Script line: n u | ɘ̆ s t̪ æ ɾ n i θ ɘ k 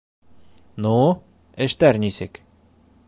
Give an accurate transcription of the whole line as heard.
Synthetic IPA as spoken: n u | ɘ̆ ʃ t̪ æ ɾ n i s ɘ k